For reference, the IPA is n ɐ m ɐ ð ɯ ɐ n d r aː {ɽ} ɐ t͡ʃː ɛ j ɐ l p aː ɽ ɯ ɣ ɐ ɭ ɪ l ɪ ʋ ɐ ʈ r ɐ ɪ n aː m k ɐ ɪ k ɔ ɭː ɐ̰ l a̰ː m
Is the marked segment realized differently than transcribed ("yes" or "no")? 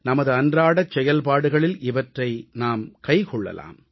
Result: no